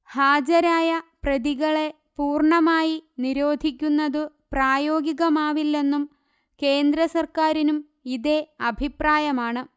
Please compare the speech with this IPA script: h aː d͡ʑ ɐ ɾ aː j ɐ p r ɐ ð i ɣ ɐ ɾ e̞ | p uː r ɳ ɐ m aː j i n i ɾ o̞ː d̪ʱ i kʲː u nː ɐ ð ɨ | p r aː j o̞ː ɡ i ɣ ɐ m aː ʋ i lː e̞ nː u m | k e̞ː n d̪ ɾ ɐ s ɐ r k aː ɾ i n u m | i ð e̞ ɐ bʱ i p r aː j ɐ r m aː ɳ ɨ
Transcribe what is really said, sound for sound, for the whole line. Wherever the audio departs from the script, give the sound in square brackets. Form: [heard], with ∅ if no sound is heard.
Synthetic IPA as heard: h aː d͡ʑ ɐ ɾ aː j ɐ p r ɐ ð i ɣ ɐ [ɭ] e̞ | p uː r ɳ ɐ m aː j i n i ɾ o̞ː d̪ʱ i kʲː u nː ɐ ð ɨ | p r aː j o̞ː ɡ i ɣ ɐ m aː ʋ i lː e̞ nː u m | k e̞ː n d̪ ɾ ɐ s ɐ r k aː ɾ i n u m | i ð e̞ ɐ bʱ i p r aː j ɐ [∅] m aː ɳ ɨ